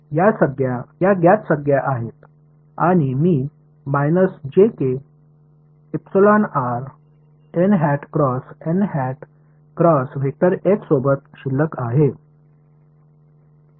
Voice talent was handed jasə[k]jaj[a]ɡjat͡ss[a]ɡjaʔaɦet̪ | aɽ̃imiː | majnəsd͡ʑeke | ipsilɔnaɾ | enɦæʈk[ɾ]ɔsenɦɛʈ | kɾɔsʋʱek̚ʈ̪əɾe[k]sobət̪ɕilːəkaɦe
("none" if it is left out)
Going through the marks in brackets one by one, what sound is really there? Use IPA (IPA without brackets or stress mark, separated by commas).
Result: ɡ, a, ə, ɾ, k